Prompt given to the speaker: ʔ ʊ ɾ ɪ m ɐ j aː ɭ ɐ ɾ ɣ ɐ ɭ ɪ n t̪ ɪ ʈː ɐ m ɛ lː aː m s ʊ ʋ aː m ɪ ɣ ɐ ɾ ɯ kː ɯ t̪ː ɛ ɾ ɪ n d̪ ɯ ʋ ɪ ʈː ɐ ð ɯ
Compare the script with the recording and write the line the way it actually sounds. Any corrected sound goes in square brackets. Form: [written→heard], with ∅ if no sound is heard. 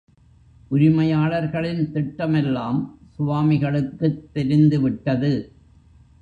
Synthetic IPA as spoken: ʔ ʊ ɾ ɪ m ɐ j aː ɭ ɐ ɾ ɣ ɐ ɭ ɪ n t̪ ɪ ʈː ɐ m ɛ lː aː m s ʊ ʋ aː m ɪ ɣ ɐ [ɾ→ɭ] ɯ kː ɯ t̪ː ɛ ɾ ɪ n d̪ ɯ ʋ ɪ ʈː ɐ ð ɯ